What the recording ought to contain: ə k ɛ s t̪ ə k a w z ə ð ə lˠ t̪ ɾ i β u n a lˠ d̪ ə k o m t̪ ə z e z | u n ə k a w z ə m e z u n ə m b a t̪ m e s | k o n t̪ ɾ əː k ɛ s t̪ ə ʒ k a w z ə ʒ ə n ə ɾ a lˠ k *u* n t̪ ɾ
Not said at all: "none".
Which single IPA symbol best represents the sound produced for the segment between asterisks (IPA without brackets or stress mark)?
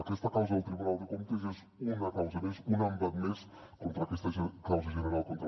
o